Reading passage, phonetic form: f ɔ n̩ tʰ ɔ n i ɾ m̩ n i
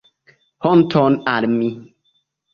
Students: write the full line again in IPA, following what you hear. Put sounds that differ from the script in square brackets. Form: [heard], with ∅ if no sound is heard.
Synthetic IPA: [h] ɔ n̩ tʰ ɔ n [a] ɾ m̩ [m] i